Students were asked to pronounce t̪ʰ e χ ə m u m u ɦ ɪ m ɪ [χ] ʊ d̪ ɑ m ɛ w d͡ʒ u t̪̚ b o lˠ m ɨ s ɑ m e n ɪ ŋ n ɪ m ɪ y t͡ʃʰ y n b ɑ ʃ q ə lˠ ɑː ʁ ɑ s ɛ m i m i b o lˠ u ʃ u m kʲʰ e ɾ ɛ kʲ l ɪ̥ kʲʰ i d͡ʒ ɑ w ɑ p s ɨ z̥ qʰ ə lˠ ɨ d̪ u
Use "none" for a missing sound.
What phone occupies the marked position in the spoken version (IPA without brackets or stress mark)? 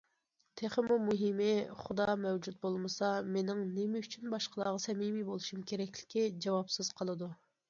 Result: χ